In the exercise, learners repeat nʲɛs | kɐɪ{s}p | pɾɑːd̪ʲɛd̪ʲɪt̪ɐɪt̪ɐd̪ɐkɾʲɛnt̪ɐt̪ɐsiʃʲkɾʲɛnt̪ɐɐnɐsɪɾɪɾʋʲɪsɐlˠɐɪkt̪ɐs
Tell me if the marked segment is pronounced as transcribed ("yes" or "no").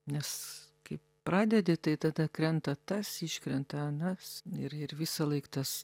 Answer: no